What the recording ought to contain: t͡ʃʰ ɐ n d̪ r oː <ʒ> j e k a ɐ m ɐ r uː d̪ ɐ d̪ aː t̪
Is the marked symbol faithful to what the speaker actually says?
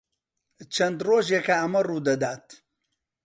yes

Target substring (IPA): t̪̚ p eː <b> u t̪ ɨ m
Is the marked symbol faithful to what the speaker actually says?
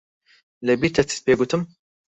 no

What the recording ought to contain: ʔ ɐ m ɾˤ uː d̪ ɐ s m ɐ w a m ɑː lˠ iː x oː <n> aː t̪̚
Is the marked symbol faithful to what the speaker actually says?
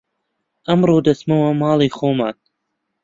no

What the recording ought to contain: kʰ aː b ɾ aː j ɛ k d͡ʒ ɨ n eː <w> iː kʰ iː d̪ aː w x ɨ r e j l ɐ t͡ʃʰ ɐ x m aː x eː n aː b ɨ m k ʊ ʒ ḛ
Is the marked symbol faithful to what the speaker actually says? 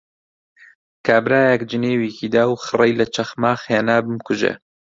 yes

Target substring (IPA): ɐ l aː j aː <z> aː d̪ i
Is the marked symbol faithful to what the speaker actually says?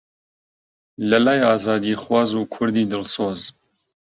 yes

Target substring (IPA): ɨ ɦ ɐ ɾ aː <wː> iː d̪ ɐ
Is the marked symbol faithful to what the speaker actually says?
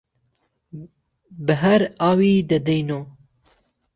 no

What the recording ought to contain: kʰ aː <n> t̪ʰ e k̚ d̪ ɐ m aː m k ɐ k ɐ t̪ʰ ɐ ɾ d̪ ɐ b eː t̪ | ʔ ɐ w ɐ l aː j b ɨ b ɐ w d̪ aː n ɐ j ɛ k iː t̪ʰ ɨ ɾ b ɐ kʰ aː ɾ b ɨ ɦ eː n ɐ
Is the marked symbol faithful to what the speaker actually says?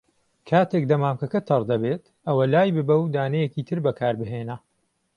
no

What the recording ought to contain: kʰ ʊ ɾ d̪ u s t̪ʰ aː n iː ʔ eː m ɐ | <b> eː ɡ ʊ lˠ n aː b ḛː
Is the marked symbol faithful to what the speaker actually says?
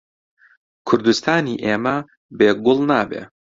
yes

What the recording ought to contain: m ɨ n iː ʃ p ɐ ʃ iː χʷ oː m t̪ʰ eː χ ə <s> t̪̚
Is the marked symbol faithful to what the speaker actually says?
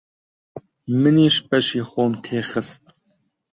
yes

